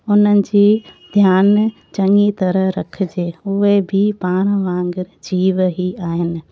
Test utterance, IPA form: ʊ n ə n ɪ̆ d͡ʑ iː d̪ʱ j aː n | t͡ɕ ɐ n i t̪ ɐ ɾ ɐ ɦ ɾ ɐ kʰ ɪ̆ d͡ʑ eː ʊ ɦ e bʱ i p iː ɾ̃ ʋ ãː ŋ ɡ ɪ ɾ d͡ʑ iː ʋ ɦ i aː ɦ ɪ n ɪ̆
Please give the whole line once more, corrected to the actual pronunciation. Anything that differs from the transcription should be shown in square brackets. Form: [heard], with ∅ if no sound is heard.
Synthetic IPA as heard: ʊ n ə n ɪ̆ d͡ʑ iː d̪ʱ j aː n | t͡ɕ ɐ [ŋ] i t̪ ɐ ɾ [ə] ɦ ɾ ɐ kʰ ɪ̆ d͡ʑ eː ʊ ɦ e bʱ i p [aː] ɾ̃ ʋ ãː ŋ ɡ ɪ ɾ d͡ʑ iː ʋ ɦ i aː ɦ ɪ n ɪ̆